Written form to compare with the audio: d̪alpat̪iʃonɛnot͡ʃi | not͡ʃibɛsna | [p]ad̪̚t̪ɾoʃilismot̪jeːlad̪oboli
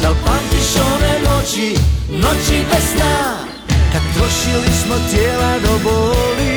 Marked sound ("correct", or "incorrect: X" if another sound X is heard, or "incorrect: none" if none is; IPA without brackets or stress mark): incorrect: k